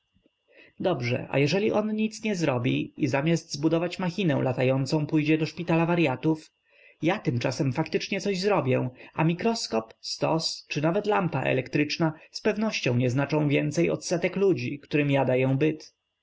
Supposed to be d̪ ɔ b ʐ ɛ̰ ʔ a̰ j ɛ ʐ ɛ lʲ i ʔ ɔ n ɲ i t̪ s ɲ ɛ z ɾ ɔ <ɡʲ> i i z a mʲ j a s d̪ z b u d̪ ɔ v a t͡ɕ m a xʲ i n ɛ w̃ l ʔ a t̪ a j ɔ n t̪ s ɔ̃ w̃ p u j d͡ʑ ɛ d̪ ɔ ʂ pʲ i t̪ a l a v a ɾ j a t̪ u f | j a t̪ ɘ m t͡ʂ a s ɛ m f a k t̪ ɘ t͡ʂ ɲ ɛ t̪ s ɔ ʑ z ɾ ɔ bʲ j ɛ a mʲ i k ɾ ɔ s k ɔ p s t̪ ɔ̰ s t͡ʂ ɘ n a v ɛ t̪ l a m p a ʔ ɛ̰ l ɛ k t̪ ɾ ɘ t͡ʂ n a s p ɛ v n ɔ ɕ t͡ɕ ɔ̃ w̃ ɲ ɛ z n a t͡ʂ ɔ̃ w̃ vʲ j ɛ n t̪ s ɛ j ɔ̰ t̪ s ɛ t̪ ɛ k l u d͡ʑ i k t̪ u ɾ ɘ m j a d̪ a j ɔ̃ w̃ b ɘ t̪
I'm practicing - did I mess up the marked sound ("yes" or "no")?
yes